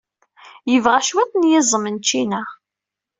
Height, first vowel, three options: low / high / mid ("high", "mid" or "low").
mid